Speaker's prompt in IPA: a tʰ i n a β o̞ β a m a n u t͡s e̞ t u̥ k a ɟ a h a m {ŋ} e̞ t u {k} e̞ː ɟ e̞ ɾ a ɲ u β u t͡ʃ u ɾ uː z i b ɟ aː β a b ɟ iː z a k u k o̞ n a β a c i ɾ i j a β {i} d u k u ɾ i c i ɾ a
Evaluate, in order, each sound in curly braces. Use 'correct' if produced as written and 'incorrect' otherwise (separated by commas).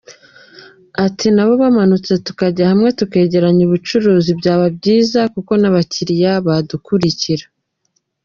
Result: correct, correct, incorrect